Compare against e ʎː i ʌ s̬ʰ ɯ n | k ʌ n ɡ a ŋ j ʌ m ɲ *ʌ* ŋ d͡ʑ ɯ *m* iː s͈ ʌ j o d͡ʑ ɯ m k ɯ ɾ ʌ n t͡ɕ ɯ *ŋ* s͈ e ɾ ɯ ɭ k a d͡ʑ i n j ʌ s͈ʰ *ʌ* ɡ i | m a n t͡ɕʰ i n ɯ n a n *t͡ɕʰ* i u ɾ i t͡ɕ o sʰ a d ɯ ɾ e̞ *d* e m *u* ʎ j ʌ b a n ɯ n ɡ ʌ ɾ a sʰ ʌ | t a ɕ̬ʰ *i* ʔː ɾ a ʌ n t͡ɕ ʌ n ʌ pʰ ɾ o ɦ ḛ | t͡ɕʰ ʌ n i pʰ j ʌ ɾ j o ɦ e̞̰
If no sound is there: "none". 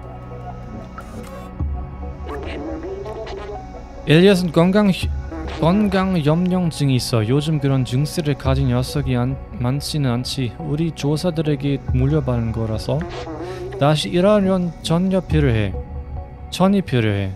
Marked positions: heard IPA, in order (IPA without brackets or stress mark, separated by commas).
ʌ, ŋ, ŋ, ʌ, t͡ɕʰ, ɡ, u, i